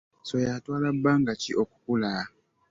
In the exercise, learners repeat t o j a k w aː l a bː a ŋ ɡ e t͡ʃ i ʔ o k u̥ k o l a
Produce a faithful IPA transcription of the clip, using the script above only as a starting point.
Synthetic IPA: s o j a t w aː l a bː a ŋ ɡ a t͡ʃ i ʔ o k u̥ k u l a